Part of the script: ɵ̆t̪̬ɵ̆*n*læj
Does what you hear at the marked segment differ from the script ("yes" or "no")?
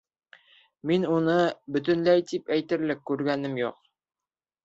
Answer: no